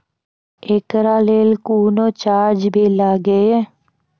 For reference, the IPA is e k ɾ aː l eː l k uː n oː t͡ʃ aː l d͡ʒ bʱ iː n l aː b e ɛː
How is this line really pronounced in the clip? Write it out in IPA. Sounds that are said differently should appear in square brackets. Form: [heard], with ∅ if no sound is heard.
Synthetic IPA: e k ɾ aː l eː l k uː n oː t͡ʃ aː [ɾ] d͡ʒ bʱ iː [∅] l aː [ɡ] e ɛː